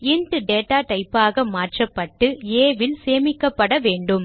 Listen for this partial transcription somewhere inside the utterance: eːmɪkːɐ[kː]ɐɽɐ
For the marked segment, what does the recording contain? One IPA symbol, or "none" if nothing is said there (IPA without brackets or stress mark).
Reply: pː